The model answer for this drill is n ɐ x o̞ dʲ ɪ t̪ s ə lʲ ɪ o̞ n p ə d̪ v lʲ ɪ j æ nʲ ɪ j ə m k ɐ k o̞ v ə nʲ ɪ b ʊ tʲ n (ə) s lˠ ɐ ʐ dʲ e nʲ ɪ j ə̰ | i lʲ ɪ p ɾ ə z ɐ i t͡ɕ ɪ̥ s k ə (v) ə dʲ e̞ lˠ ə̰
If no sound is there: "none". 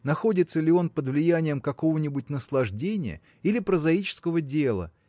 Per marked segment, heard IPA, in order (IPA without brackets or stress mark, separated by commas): ə, v